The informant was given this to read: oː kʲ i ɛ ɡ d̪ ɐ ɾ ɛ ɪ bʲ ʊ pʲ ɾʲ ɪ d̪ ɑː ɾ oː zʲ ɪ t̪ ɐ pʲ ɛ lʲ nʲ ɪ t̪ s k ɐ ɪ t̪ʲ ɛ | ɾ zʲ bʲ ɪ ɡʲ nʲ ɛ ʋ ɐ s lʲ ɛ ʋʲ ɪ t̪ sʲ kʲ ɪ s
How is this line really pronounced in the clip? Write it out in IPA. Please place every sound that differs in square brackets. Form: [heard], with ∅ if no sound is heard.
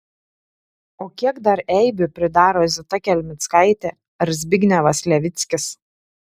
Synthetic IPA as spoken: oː kʲ i ɛ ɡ d̪ ɐ ɾ ɛ ɪ bʲ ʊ pʲ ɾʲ ɪ d̪ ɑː ɾ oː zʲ ɪ t̪ ɐ [kʲ] ɛ lʲ [mʲ] ɪ t̪ s k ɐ ɪ t̪ʲ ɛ | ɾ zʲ bʲ ɪ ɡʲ nʲ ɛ ʋ ɐ s lʲ ɛ ʋʲ ɪ t̪ sʲ kʲ ɪ s

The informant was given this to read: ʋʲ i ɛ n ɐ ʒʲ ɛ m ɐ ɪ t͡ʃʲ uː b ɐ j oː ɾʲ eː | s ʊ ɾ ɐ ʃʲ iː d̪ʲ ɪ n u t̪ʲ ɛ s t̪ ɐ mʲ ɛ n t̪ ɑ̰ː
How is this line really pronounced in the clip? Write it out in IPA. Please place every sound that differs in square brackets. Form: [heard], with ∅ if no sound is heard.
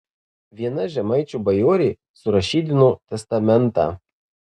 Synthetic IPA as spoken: ʋʲ i ɛ n ɐ ʒʲ ɛ m ɐ ɪ t͡ʃʲ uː b ɐ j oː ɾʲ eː | s ʊ ɾ ɐ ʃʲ iː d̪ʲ ɪ n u t̪ʲ ɛ s t̪ ɐ mʲ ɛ n t̪ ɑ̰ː

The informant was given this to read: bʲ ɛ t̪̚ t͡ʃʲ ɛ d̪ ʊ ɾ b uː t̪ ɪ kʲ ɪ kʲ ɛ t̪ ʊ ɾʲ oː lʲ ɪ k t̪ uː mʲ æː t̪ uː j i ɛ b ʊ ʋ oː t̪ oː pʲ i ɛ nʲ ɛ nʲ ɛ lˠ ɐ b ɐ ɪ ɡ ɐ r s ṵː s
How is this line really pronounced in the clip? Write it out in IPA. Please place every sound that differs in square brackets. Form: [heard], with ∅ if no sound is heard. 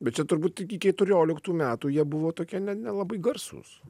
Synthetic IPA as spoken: bʲ ɛ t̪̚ t͡ʃʲ ɛ [t̪] ʊ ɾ b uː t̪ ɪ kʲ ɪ kʲ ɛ t̪ ʊ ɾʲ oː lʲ ɪ k t̪ uː mʲ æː t̪ uː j i ɛ b ʊ ʋ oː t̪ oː [kʲ] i ɛ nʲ ɛ nʲ ɛ lˠ ɐ b ɐ ɪ ɡ ɐ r s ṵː s

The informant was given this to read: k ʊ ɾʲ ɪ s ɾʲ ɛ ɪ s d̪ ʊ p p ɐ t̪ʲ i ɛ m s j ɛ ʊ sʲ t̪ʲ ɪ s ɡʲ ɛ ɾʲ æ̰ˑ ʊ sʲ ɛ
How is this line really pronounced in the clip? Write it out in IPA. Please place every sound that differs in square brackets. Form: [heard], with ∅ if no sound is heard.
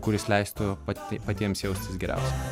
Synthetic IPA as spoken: k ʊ ɾʲ ɪ s [lʲ] ɛ ɪ s [t̪] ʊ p p ɐ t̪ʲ i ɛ m s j ɛ ʊ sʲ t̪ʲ ɪ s ɡʲ ɛ ɾʲ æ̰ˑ ʊ sʲ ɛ

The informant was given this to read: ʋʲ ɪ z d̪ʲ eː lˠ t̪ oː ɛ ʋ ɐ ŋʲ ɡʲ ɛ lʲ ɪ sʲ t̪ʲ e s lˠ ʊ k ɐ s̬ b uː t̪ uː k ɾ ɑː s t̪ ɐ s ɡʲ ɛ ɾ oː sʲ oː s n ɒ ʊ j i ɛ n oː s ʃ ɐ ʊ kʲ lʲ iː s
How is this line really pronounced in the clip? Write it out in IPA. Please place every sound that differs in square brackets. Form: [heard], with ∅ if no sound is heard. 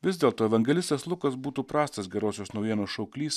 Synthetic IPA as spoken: ʋʲ ɪ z d̪ʲ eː lˠ t̪ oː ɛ ʋ ɐ ŋʲ ɡʲ ɛ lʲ ɪ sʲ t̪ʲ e s lˠ ʊ k ɐ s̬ b uː t̪ uː [p] ɾ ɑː s t̪ ɐ s ɡʲ ɛ ɾ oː sʲ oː s n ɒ ʊ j i ɛ n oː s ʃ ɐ ʊ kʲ lʲ iː s

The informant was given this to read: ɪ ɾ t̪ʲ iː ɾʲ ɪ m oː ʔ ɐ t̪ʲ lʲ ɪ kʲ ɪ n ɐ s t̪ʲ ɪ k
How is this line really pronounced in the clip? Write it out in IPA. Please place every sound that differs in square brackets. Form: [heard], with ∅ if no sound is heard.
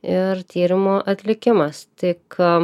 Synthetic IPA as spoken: ɪ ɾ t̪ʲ iː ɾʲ ɪ m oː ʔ ɐ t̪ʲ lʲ ɪ kʲ ɪ [m] ɐ s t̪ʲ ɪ k

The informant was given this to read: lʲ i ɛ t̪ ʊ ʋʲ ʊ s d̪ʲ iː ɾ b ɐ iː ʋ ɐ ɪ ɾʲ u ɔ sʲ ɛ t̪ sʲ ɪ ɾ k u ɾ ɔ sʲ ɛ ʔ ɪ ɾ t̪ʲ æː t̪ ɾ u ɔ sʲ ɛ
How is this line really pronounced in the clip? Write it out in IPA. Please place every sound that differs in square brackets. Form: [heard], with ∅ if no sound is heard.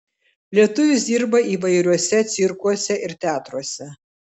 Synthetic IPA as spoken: lʲ i ɛ t̪ ʊ ʋʲ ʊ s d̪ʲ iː ɾ b ɐ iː ʋ ɐ ɪ ɾʲ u ɔ sʲ ɛ t̪ sʲ ɪ ɾ k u [∅] ɔ sʲ ɛ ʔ ɪ ɾ t̪ʲ æː t̪ ɾ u ɔ sʲ ɛ

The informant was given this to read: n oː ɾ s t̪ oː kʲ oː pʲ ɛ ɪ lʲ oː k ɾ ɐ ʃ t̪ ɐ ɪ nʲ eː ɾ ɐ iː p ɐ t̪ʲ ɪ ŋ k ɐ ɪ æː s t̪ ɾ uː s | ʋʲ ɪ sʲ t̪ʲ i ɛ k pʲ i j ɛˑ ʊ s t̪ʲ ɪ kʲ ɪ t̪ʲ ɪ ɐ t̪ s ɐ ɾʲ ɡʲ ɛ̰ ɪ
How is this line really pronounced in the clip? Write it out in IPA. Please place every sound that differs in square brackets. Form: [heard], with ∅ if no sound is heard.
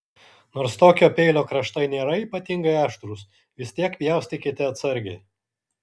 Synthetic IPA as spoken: n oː ɾ s t̪ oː kʲ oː pʲ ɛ ɪ lʲ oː k ɾ ɐ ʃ t̪ ɐ ɪ nʲ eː ɾ ɐ iː p ɐ t̪ʲ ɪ ŋ [ɡ] ɐ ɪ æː [ʃ] t̪ ɾ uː s | ʋʲ ɪ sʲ t̪ʲ i ɛ k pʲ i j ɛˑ ʊ s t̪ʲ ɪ kʲ ɪ t̪ʲ ɪ ɐ t̪ s ɐ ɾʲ ɡʲ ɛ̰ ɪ

